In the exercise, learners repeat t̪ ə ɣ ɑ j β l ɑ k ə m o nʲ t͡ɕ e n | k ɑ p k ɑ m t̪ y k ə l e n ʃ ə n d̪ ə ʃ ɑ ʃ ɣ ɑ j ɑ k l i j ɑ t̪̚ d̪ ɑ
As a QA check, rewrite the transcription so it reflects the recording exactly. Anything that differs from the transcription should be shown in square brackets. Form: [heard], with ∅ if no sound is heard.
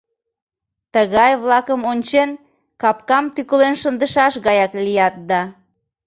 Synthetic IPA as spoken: t̪ ə ɣ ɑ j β l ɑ k ə m o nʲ t͡ɕ e n | k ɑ p k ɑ m t̪ y k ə l e n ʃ ə n d̪ ə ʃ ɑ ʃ ɣ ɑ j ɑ k l i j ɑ t̪̚ d̪ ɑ